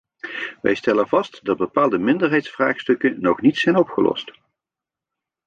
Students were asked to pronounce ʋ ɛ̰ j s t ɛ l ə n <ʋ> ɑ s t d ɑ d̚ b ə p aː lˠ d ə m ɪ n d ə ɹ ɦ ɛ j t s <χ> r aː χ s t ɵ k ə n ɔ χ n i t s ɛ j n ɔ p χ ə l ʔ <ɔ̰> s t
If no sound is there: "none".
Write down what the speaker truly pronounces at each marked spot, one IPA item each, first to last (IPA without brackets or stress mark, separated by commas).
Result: v, f, ɔ̰